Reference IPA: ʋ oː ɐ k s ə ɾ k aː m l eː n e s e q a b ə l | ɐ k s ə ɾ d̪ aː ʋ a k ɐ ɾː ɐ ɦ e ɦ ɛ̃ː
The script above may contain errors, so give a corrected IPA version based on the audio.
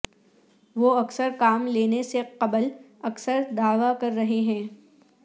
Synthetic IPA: ʋ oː ɐ k s ə ɾ k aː m l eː n e s e q ɐ b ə l | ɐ k s ə ɾ d̪ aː ʋ a k ɐ ɾː ɐ ɦ e ɦ ɛ̃ː